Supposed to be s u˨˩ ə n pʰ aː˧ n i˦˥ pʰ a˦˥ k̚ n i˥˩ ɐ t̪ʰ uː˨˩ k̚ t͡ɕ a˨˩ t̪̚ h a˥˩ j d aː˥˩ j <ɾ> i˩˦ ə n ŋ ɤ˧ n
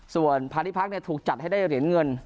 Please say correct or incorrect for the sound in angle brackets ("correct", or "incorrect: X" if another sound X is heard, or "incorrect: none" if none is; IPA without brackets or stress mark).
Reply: correct